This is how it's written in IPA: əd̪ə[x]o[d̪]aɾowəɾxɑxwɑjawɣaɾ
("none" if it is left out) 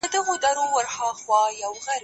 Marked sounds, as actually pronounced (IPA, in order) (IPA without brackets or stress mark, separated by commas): ɣ, d̪